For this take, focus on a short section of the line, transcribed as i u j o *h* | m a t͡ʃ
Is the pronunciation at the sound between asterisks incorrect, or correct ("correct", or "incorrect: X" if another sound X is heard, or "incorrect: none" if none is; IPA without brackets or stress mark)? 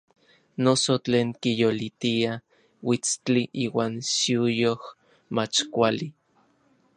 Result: correct